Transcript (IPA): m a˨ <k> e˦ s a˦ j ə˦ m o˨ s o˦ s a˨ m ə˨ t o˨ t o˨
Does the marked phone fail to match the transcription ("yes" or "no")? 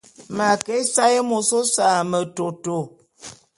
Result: no